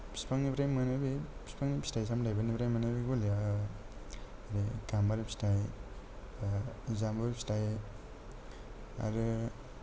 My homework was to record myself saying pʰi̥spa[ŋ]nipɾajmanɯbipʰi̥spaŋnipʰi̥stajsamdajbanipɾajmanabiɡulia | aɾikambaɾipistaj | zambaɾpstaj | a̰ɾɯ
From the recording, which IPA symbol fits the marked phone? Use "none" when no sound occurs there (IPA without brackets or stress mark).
ŋ